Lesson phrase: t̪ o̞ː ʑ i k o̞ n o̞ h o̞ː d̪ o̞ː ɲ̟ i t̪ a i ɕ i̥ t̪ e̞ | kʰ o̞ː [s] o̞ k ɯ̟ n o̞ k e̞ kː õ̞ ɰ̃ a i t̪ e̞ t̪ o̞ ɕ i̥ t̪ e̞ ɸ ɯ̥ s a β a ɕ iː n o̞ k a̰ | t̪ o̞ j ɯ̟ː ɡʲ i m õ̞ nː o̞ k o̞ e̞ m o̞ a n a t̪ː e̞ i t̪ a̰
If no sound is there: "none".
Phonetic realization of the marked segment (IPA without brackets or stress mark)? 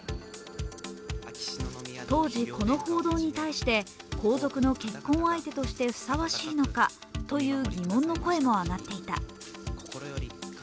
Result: z